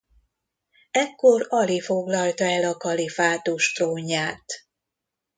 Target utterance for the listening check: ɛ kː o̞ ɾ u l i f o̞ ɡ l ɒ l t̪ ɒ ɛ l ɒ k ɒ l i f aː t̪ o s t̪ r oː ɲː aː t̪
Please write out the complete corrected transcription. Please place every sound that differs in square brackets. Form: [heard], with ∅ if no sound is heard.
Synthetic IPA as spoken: ɛ kː o̞ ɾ [ɒ] l i f o̞ ɡ l ɒ l t̪ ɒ ɛ l ɒ k ɒ l i f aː t̪ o [ʃ] t̪ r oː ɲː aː t̪